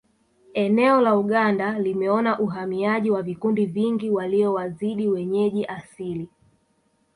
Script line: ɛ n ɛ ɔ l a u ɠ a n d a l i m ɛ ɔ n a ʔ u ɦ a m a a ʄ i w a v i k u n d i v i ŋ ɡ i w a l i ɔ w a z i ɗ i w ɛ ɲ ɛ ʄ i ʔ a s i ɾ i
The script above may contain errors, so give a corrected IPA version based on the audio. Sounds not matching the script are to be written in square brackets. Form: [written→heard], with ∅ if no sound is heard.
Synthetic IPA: ɛ n ɛ ɔ l a u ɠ a n d a l i m ɛ ɔ n a ʔ u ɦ a m [a→i] a ʄ i w a v i k u n d i v i ŋ ɡ i w a l i ɔ w a z i ɗ i w ɛ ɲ ɛ ʄ i ʔ a s i [ɾ→l] i

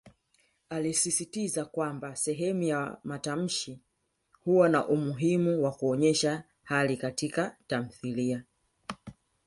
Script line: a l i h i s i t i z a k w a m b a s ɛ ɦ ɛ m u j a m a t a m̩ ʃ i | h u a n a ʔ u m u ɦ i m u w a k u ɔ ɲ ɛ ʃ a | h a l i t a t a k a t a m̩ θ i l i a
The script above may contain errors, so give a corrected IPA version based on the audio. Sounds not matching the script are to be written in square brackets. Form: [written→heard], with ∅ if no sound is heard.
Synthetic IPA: a l i [h→s] i s i t i z a k w a m b a s ɛ ɦ ɛ m u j a m a t a m̩ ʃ i | h u a n a ʔ u m u ɦ i m u w a k u ɔ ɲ ɛ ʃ a | h a l i [t→k] a t [a→i] k a t a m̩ θ i l i a

